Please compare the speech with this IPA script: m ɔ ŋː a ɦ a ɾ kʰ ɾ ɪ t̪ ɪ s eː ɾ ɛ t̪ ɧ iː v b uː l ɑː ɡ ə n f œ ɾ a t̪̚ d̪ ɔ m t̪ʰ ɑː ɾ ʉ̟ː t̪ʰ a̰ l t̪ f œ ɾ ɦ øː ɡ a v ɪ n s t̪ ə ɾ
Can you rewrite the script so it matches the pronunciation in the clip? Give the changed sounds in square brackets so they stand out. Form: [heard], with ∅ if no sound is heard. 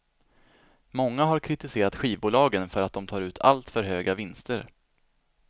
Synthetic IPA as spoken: m ɔ ŋː a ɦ a ɾ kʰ ɾ ɪ t̪ ɪ s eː ɾ [a] t̪ ɧ iː v b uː l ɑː ɡ ə n f œ ɾ a t̪̚ d̪ ɔ m t̪ʰ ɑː ɾ ʉ̟ː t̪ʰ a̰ l t̪ f œ ɾ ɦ øː ɡ a v ɪ n s t̪ ə ɾ